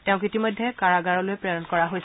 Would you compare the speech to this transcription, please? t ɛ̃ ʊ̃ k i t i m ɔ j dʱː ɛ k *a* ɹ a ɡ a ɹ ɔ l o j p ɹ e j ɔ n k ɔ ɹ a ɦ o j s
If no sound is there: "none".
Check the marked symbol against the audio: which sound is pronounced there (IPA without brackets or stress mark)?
a